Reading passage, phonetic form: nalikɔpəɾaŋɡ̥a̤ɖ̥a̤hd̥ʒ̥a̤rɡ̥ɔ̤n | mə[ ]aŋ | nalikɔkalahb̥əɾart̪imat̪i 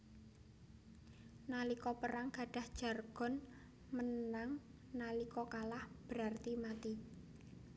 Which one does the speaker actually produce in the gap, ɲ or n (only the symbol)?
n